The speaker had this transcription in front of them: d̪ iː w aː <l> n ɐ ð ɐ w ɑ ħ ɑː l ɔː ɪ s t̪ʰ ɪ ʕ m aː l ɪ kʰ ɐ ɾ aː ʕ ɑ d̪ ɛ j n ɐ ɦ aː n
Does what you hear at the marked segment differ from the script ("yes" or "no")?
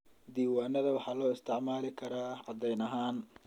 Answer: yes